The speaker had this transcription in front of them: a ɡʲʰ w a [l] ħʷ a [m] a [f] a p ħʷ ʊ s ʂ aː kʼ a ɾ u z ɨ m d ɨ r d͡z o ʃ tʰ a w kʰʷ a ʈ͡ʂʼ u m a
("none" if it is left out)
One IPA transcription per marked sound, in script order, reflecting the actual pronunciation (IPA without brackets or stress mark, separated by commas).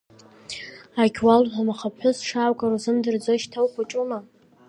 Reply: l, m, χ